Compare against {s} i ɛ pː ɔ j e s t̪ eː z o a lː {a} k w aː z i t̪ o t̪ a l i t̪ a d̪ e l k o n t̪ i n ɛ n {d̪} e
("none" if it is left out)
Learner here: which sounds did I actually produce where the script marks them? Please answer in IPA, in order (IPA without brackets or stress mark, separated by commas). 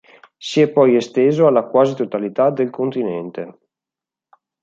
s, a, t̪